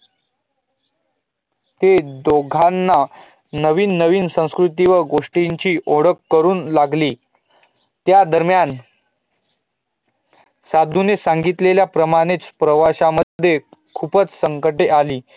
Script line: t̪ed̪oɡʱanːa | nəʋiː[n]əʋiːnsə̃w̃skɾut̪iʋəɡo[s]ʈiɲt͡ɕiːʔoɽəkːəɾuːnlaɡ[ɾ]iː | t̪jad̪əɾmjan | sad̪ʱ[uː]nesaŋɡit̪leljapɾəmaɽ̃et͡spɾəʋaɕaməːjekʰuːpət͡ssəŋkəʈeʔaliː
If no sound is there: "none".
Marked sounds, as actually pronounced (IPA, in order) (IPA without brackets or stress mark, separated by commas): nː, ʂ, l, u